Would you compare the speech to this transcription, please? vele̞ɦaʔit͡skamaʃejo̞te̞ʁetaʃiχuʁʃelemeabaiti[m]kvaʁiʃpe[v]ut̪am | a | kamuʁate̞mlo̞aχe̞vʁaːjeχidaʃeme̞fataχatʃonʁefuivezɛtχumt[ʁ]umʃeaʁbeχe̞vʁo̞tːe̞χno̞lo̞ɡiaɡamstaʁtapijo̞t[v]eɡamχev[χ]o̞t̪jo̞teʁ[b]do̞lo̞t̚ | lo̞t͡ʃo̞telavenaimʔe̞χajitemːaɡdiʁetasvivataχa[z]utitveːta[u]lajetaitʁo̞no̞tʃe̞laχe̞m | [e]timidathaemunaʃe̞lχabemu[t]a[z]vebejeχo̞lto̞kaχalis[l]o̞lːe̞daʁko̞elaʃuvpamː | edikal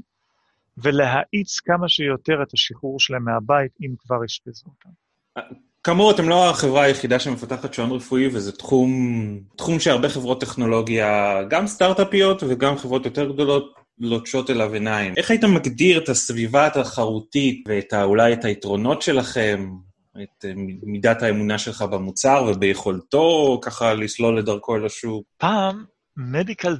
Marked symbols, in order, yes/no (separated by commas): yes, no, no, yes, no, no, no, yes, yes, no, no, yes